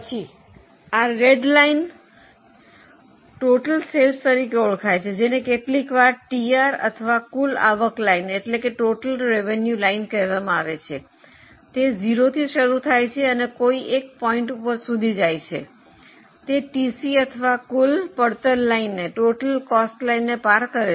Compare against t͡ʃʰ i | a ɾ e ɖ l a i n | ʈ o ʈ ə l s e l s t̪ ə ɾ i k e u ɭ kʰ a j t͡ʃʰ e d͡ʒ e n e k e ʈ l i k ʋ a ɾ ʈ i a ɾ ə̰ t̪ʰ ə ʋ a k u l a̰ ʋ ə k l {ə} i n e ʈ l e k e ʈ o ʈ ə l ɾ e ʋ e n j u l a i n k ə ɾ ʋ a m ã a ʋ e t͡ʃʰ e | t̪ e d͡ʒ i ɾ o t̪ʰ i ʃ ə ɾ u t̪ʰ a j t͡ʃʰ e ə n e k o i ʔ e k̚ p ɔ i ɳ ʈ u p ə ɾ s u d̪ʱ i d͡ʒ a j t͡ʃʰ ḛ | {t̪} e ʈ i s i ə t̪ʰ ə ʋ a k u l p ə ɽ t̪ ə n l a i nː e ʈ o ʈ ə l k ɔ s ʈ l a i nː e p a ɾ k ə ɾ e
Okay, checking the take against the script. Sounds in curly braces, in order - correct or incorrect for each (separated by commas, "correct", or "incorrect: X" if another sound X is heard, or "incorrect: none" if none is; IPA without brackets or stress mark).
incorrect: a, correct